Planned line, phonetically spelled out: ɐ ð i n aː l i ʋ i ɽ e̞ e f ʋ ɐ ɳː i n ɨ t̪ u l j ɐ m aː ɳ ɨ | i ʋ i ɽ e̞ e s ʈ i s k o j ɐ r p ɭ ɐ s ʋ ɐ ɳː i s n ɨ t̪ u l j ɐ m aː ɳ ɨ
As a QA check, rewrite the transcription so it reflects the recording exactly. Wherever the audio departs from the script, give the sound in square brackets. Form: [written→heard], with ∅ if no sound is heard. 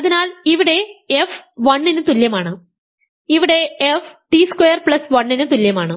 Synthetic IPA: ɐ ð i n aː l i ʋ i ɽ e̞ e f ʋ ɐ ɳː i n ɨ t̪ u l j ɐ m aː ɳ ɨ | i ʋ i ɽ e̞ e [s→f] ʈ i s k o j ɐ r p ɭ ɐ s ʋ ɐ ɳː i [s→∅] n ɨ t̪ u l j ɐ m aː ɳ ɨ